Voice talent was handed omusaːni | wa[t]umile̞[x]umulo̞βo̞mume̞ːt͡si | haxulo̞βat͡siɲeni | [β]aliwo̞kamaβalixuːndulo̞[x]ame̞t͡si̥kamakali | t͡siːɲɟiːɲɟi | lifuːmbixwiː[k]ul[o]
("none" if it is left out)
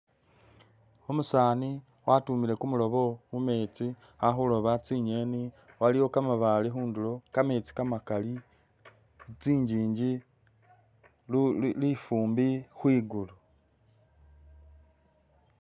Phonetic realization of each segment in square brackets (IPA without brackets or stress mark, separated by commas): t, k, w, k, ɡ, u